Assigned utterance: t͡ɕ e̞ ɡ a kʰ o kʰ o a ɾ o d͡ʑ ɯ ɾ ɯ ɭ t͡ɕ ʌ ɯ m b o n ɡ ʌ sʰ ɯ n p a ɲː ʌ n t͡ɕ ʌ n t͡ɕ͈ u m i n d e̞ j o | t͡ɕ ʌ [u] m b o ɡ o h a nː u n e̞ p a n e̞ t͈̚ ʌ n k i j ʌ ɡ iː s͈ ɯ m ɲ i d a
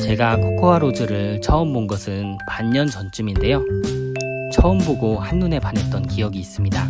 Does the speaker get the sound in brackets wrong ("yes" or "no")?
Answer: yes